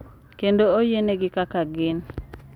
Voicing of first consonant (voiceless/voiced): voiceless